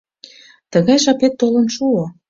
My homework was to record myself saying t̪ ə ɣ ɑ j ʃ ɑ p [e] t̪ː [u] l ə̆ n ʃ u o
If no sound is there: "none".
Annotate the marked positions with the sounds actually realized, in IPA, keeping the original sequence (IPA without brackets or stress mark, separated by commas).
e, o